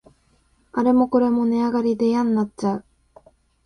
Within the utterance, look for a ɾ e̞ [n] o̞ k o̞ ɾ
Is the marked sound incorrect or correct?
incorrect